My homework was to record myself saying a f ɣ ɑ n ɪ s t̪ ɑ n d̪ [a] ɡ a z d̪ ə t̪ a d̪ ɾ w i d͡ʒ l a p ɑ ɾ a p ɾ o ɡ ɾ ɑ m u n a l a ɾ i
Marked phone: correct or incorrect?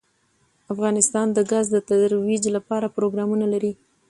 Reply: incorrect: ə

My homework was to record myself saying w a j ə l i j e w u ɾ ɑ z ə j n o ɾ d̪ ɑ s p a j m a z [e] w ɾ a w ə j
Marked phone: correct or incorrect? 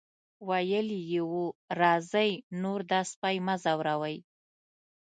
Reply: incorrect: a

